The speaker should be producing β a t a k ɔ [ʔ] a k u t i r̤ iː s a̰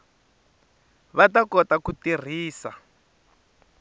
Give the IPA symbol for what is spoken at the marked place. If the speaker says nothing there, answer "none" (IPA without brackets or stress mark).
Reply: t